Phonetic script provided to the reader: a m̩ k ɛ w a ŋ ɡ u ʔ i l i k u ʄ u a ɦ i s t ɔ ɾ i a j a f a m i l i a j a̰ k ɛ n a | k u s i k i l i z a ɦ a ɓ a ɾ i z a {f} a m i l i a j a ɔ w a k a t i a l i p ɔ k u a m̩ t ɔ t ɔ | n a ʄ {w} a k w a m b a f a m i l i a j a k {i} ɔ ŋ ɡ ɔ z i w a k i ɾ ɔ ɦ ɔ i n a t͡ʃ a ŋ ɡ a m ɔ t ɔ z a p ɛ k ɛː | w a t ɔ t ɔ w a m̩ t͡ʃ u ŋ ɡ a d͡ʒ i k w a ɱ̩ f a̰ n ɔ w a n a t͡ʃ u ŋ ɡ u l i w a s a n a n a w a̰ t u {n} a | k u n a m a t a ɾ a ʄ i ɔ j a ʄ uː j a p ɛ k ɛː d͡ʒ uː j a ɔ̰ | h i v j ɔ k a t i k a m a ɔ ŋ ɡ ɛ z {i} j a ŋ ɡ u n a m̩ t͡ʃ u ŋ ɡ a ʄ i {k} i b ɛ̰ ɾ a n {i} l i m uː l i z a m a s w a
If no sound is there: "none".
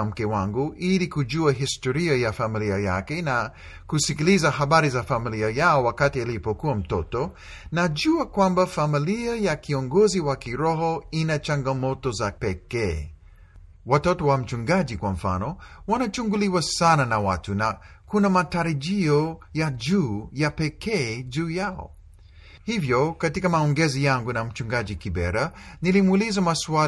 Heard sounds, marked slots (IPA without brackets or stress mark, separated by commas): f, u, i, n, i, k, i